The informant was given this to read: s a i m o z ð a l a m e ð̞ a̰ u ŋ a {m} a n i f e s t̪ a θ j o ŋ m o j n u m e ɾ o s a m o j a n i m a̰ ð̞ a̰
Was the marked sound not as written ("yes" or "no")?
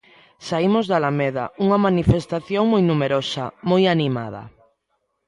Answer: no